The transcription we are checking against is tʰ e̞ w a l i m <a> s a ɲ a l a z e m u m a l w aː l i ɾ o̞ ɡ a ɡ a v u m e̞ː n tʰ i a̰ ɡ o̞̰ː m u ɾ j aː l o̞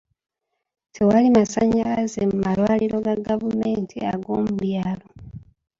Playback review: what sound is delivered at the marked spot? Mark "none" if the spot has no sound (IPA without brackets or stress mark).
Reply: a